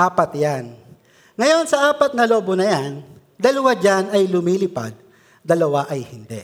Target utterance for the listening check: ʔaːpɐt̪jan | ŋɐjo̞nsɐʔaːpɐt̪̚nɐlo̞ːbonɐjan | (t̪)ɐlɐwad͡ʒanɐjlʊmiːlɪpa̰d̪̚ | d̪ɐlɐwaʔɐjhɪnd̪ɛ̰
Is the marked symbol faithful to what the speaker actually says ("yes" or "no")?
no